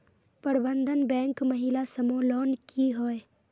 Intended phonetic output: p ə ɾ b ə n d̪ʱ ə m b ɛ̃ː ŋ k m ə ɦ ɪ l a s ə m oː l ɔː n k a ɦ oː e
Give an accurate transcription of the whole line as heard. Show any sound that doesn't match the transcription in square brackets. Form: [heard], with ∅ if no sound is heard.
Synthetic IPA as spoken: p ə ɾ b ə n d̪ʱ ə [n] b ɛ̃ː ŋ k m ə ɦ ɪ l a s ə m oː l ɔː n k [i] ɦ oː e